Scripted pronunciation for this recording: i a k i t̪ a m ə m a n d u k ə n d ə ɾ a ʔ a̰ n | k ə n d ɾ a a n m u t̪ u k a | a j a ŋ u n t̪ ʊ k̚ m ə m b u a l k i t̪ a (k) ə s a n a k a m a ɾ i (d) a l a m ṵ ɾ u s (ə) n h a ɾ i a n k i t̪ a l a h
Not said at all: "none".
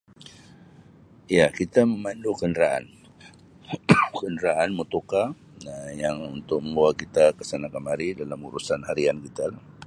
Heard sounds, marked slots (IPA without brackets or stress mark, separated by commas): k, d, a